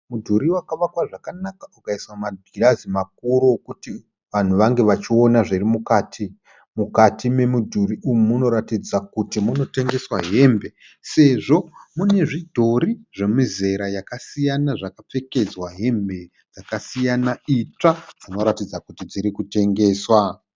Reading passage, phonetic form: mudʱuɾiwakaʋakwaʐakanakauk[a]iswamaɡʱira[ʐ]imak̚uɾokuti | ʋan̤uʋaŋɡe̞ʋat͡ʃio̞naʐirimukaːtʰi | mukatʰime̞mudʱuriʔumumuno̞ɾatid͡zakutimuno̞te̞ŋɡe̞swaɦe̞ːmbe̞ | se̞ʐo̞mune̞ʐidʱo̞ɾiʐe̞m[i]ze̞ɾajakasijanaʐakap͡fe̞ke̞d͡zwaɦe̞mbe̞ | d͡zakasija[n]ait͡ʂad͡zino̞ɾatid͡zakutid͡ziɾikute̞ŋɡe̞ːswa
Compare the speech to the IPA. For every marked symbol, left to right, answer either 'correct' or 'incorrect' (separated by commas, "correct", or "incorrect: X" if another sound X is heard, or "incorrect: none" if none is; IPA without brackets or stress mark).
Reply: correct, incorrect: z, correct, correct